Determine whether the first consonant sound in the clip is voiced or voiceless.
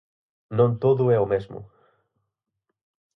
voiced